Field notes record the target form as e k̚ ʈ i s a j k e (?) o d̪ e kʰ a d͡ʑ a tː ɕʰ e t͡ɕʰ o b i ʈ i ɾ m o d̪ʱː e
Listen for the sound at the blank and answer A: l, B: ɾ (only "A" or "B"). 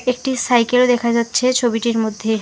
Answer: A